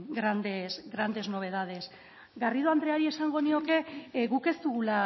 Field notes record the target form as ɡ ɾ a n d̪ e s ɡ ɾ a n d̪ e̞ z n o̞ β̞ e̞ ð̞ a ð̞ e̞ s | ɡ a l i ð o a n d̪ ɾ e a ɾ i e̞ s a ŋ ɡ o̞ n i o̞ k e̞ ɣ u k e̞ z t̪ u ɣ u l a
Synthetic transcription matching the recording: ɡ ɾ a n d̪ e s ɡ ɾ a n d̪ e̞ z n o̞ β̞ e̞ ð̞ a ð̞ e̞ s | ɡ a r i ð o a n d̪ ɾ e a ɾ i e̞ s a ŋ ɡ o̞ n i o̞ k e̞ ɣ u k e̞ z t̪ u ɣ u l a

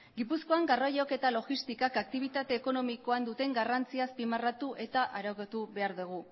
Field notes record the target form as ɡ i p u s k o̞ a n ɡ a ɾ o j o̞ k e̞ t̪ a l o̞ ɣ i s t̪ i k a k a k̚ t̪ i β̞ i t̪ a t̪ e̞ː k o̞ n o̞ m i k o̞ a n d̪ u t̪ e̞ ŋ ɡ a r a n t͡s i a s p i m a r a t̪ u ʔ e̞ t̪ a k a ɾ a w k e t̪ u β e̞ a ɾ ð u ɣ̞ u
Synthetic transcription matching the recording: ɡ i p u s k o̞ a ŋ ɡ a r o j o̞ k e̞ t̪ a l o̞ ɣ i s t̪ i k a k a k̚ t̪ i β̞ i t̪ a t̪ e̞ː k o̞ n o̞ m i k o̞ a n d̪ u t̪ e̞ ŋ ɡ a r a n t͡s i a s p i m a r a t̪ u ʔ e̞ t̪ a ʔ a ɾ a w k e t̪ u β e̞ a ɾ ð u ɣ̞ u

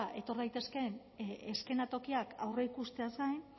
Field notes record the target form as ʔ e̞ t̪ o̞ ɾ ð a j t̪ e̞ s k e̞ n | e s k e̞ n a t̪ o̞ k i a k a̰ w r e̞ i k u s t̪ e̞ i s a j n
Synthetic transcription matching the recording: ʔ e̞ t̪ o̞ ɾ ð a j t̪ e̞ s k e̞ n | e s k e̞ n a t̪ o̞ k i a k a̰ w r e̞ i k u s t̪ e̞ a s a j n

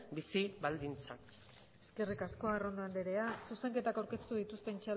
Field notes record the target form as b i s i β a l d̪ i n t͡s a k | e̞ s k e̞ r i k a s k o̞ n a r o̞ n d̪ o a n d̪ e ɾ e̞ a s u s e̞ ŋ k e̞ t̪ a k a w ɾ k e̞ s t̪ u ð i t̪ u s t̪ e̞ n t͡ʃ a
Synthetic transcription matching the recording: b i s i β a l d̪ i n t͡s a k | e̞ s k e̞ r i k a s k o̞ a r o̞ n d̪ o a n d̪ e ɾ e̞ a s u s e̞ ŋ k e̞ t̪ a k a w ɾ k e̞ s t̪ u ð i t̪ u s t̪ e̞ n t͡ʃ a

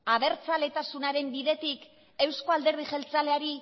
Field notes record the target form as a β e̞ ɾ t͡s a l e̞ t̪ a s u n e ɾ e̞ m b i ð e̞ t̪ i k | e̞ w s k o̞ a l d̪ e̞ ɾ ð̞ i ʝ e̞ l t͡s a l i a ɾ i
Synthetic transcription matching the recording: a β e̞ ɾ t͡s a l e̞ t̪ a s u n a ɾ e̞ m b i ð e̞ t̪ i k | e̞ w s k o̞ a l d̪ e̞ ɾ ð̞ i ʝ e̞ l t͡s a l e a ɾ i

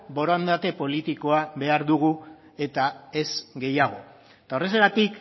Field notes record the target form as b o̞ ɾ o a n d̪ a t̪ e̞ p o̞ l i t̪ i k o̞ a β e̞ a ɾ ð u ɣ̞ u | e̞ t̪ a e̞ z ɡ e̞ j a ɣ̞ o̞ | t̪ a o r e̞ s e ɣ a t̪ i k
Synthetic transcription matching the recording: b o̞ ɾ o a n d̪ a t̪ e̞ p o̞ l i t̪ i k o̞ a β e̞ a ɾ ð u ɣ̞ u | e̞ t̪ a e̞ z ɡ e̞ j a ɣ̞ o̞ | t̪ a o r e̞ s e ɣ a t̪ i k

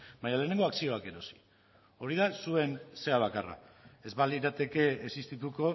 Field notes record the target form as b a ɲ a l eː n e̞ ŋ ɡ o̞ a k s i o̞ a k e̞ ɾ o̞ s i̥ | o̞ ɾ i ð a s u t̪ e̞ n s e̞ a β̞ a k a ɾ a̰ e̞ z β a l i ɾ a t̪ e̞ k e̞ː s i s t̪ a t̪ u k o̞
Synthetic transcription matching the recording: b a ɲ a l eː n e̞ ŋ ɡ o̞ a k s i o̞ a k e̞ ɾ o̞ s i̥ | o̞ ɾ i ð a s u e̞ n s e̞ a β̞ a k a r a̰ e̞ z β a l i ɾ a t̪ e̞ k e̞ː s i s t̪ i t̪ u k o̞

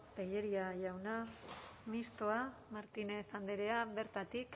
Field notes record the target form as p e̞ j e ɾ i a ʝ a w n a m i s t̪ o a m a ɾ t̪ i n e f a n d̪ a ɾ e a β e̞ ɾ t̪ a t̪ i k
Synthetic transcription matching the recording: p e̞ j e ɾ i a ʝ a w n a m i s t̪ o a m a ɾ t̪ i n e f a n d̪ e ɾ e a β e̞ ɾ t̪ a t̪ i k

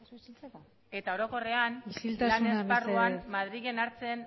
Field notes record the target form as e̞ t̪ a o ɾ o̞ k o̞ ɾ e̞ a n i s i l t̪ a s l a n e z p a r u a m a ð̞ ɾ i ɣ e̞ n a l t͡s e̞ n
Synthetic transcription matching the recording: e̞ t̪ a o ɾ o̞ k o̞ r e̞ a n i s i l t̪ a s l a n e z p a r u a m a ð̞ ɾ i ɣ e̞ n a ɾ t͡s e̞ n

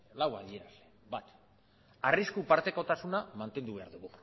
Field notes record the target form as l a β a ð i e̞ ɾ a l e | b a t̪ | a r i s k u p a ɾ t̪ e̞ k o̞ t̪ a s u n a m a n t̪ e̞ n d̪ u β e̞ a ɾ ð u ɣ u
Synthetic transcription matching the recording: l a w a ð i e̞ ɾ a l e | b a t̪ | a r i s k u p a ɾ t̪ e̞ k o̞ t̪ a s u n a m a n t̪ e̞ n d̪ u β e̞ a ɾ ð u ɣ u

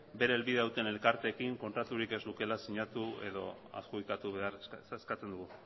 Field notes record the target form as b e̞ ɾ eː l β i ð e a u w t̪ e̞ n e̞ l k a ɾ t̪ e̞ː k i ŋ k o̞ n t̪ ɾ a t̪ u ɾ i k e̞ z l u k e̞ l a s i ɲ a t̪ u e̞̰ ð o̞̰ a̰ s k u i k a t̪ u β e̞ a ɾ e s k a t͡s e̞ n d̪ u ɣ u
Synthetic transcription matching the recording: b e̞ ɾ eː l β i ð e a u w t̪ e̞ n e̞ l k a ɾ t̪ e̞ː k i ŋ k o̞ n t̪ ɾ a t̪ u ɾ i k e̞ z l u k e̞ l a s i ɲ a t̪ u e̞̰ ð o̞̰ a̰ s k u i k a t̪ u β e̞ a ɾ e s k a t͡s e̞ n d̪ u ɣ u

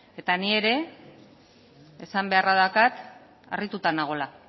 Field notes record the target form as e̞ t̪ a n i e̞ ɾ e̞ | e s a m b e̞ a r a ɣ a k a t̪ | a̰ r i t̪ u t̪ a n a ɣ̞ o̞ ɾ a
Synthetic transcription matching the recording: e̞ t̪ a n i e̞ ɾ e̞ | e s a m b e̞ a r a ð a k a t̪ | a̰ r i t̪ u t̪ a n a ɣ̞ o̞ l a

